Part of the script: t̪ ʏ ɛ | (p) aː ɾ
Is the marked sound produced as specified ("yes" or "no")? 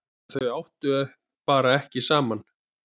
yes